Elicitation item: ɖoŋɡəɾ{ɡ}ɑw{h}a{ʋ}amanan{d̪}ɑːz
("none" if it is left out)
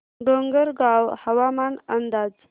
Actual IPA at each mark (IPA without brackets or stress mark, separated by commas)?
ɡ, h, w, d̪